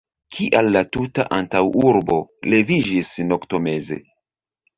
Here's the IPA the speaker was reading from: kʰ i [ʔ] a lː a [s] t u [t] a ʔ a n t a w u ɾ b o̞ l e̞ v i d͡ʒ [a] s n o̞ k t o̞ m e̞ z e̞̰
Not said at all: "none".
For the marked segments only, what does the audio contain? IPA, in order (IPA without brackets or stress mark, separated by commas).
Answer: ʔ, none, t, i